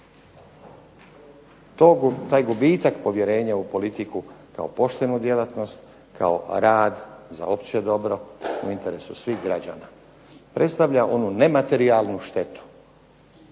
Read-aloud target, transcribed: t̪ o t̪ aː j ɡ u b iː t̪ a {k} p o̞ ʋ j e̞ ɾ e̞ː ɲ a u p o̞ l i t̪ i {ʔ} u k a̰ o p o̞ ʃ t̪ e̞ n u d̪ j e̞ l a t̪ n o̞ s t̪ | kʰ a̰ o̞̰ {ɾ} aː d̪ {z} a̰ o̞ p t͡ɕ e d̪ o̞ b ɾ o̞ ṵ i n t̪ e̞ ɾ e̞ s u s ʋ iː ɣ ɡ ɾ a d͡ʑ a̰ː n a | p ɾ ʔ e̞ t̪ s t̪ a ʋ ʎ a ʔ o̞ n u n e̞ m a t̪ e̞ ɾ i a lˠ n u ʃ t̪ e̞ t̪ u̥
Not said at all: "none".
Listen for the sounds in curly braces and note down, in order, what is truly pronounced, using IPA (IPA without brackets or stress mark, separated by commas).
k, k, ɾ, z